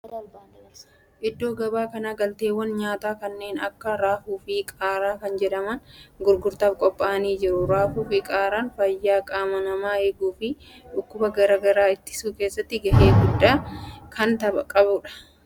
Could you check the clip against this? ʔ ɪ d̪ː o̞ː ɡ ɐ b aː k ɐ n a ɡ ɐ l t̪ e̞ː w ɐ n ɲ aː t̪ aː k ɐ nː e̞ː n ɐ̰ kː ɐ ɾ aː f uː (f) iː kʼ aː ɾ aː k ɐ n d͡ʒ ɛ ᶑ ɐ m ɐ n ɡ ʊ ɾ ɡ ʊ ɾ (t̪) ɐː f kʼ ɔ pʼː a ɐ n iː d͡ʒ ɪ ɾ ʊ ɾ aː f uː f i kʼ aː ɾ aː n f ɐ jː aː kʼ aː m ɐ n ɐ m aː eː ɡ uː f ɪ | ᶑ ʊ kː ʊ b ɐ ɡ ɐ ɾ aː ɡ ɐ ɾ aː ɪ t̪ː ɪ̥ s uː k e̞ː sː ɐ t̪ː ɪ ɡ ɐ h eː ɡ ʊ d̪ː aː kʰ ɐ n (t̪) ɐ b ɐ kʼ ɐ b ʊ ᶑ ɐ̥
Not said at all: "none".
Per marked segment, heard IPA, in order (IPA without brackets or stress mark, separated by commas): f, t̪, t̪